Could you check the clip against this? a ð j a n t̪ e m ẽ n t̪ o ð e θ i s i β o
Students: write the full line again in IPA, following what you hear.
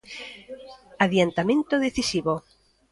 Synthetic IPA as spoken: a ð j a n t̪ a m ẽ n t̪ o ð e θ i s i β o